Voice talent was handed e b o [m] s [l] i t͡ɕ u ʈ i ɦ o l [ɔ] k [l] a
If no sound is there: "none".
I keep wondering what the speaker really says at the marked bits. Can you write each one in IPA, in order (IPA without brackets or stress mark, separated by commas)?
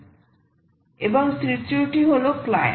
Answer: ŋ, ɾ, o, l